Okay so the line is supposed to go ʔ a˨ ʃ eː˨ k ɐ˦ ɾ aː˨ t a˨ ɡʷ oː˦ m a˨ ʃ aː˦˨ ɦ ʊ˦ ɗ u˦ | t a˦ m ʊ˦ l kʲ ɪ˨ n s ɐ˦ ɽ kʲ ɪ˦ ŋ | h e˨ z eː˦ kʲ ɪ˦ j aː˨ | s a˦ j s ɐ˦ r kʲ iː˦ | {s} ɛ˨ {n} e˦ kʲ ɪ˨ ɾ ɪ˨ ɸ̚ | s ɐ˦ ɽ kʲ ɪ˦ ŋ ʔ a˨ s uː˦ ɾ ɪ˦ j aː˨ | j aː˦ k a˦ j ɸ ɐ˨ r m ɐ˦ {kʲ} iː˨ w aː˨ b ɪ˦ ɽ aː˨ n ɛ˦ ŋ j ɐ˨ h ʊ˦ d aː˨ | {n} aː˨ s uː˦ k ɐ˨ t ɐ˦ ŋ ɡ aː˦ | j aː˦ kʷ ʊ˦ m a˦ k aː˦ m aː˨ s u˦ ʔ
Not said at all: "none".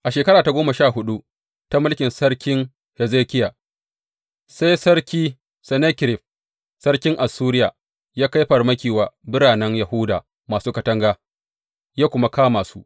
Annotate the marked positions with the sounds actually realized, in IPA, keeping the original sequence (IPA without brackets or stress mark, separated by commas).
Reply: s, n, kʲ, m